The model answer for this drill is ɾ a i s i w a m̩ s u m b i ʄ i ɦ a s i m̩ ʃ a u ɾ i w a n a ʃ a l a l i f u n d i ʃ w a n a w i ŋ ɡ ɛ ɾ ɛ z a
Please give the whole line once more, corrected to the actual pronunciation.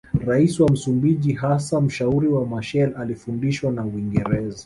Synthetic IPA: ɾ a i s i w a m̩ s u m b i ʄ i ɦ a s a m̩ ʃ a u ɾ i w a m a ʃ ɛ l a l i f u n d i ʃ w a n a w i ŋ ɡ ɛ ɾ ɛ z a